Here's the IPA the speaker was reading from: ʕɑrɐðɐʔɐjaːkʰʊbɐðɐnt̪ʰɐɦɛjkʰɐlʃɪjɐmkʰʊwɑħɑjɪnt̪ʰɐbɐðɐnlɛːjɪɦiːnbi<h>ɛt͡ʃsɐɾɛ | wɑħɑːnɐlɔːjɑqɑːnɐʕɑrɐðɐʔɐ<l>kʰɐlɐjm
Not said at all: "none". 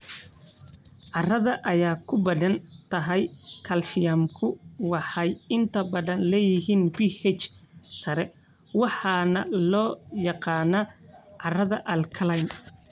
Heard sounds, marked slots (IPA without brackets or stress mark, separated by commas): h, l